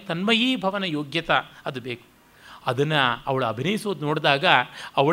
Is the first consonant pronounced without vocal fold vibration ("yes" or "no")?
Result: yes